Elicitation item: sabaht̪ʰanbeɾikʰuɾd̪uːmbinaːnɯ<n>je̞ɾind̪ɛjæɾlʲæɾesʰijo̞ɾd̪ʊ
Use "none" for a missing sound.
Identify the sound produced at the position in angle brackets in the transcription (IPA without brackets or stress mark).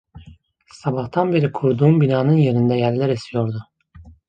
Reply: n